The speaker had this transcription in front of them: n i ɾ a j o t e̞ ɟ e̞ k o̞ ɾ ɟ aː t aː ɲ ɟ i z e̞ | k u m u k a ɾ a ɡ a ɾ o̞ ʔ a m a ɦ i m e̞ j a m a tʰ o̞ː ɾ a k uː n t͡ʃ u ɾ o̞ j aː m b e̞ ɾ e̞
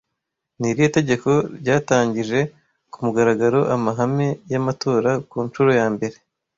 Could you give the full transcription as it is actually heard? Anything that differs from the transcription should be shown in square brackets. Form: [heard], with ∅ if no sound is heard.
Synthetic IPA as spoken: n i ɾ [i] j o t e̞ ɟ e̞ k o̞ ɾ ɟ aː t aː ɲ ɟ i [ʒ] e̞ | k u m u [ɡ] a ɾ a ɡ a ɾ o̞ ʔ a m a ɦ [a] m e̞ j a m a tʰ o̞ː ɾ a k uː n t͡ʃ u ɾ o̞ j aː m b e̞ ɾ e̞